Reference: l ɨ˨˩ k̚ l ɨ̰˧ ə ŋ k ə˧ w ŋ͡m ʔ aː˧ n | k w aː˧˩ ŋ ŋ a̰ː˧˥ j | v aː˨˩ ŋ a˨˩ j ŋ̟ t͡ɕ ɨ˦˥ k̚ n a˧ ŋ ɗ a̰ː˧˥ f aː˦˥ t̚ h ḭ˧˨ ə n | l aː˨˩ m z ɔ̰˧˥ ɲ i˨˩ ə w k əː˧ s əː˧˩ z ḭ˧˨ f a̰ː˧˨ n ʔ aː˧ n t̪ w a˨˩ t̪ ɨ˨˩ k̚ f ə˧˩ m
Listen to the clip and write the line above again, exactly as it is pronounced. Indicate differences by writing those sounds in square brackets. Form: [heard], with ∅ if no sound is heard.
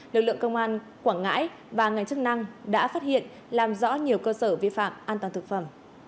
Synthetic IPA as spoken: l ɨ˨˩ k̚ l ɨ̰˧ ə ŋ k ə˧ w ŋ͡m ʔ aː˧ n | k w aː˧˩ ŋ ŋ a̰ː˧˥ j | v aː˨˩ ŋ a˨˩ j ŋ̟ t͡ɕ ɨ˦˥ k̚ n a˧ ŋ ɗ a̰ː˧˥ f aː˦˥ t̚ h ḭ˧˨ ə n | l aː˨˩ m z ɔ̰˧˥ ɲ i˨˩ ə w k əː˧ s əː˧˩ [v] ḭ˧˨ f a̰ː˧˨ [m] ʔ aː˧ n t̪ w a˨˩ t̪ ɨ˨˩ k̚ f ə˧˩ m